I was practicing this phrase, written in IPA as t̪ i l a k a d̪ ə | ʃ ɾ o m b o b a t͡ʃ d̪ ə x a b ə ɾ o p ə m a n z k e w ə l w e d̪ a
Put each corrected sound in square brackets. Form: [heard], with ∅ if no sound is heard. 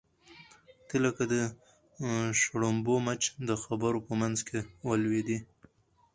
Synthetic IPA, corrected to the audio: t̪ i l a k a d̪ ə | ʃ [ɽ] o m b o [m] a t͡ʃ d̪ ə x a b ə ɾ o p ə m a n z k e w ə l w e d̪ [i]